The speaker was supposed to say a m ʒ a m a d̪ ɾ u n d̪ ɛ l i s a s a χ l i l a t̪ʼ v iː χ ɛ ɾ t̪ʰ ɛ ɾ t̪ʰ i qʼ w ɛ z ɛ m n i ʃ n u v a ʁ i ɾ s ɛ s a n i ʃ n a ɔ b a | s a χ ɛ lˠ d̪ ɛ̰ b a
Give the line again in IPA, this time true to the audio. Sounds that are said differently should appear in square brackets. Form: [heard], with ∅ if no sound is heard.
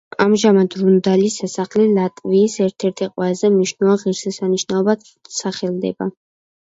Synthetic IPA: a m ʒ a m a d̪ ɾ u n d̪ [a] l i s a s a χ l i l a t̪ʼ v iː [s] ɛ ɾ t̪ʰ ɛ ɾ t̪ʰ i qʼ w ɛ z ɛ m n i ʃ n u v a ʁ i ɾ s ɛ s a n i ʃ n a ɔ b a | s a χ ɛ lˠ d̪ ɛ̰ b a